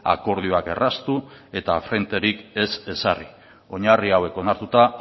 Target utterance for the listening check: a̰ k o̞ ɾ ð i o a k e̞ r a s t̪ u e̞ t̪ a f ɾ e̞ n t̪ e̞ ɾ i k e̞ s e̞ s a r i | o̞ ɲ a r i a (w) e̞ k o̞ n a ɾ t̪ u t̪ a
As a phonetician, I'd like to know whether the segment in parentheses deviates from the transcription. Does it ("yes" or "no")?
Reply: no